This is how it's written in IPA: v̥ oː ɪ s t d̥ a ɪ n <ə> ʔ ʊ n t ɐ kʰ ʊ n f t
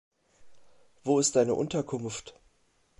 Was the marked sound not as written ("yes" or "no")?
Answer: no